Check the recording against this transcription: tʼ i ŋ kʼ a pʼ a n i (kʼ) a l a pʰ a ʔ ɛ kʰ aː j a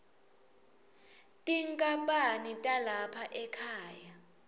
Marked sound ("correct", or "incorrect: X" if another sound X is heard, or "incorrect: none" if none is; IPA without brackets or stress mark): incorrect: tʼ